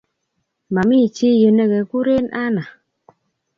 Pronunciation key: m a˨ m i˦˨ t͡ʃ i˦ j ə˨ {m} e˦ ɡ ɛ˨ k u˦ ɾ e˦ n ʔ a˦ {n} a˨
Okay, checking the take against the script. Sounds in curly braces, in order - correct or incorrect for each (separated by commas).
incorrect, correct